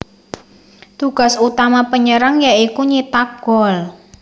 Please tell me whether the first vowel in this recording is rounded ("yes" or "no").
yes